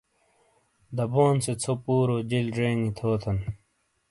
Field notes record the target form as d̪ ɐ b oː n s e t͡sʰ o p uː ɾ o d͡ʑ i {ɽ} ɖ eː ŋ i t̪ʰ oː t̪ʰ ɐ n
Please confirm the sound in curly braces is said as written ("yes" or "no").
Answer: no